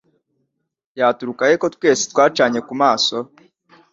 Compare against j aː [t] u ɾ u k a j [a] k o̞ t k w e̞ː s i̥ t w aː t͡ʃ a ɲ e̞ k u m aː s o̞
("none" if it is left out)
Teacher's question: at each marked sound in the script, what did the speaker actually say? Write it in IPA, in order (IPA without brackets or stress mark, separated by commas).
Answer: t, e